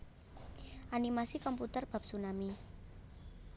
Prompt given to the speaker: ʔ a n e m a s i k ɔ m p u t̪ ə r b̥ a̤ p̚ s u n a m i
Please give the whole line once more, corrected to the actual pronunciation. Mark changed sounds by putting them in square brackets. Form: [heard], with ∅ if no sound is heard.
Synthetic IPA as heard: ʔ a n [i] m a s i k ɔ m p u t̪ ə r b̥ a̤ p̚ s u n a m i